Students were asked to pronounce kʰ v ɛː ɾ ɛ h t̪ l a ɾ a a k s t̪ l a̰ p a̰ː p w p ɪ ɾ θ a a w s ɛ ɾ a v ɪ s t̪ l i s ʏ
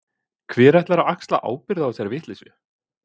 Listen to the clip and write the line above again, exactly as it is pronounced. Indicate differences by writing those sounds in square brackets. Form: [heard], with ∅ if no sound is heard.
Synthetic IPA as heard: kʰ v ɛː ɾ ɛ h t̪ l a ɾ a a k s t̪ l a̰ [ʔ] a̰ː [∅] w p ɪ ɾ [ð] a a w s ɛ ɾ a v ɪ [h] t̪ l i s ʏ